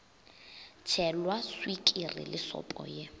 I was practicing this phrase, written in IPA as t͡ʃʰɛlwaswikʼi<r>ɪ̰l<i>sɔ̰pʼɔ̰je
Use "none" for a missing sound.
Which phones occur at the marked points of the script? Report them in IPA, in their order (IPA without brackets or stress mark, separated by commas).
r, ɪ